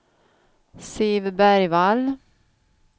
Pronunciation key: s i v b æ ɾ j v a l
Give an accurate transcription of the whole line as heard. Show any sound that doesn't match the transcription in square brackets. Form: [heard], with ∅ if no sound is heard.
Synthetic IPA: s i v b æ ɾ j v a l